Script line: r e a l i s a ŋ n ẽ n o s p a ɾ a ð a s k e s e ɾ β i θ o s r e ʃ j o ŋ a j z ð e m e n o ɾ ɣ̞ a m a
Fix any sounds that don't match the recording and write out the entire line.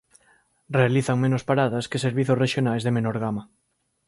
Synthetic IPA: r e a l i θ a ŋ m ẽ n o s p a ɾ a ð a s k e s e ɾ β i θ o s r e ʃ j o n a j z ð e m e n o ɾ ɣ̞ a m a